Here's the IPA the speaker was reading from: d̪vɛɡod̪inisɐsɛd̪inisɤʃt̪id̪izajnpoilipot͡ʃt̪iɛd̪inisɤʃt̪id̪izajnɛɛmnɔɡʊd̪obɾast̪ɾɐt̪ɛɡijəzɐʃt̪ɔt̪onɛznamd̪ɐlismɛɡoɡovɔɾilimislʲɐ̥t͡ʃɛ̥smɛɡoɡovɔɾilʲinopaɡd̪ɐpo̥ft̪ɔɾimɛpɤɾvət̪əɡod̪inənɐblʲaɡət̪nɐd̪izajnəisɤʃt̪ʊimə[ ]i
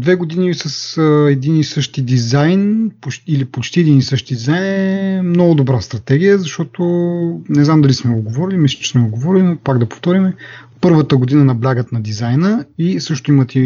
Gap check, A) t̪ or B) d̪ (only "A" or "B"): A